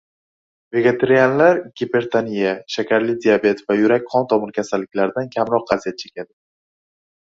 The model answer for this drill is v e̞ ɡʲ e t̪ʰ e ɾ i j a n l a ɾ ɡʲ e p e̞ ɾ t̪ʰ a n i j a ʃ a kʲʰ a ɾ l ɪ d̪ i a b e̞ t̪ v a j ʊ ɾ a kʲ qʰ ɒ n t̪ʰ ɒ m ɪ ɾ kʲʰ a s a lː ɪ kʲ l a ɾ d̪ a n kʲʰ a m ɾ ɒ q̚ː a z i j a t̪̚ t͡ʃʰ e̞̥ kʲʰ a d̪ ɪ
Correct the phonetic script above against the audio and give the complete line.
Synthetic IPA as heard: v e̞ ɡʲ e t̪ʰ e ɾ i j a n l a ɾ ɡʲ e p e̞ ɾ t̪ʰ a n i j a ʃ a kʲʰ a ɾ l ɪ d̪ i a b e̞ t̪ v a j ʊ ɾ a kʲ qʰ ɒ n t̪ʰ ɒ m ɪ ɾ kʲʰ a s a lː ɪ kʲ l a ɾ d̪ a n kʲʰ a m ɾ ɒ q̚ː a z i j a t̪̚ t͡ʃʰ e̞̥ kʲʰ a d̪ ɪ